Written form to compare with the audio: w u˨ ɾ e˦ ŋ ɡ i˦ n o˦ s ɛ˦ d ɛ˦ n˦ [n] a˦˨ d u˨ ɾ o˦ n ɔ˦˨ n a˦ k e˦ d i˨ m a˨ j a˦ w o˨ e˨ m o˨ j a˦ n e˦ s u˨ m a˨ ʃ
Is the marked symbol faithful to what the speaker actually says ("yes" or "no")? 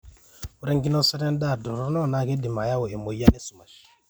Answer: no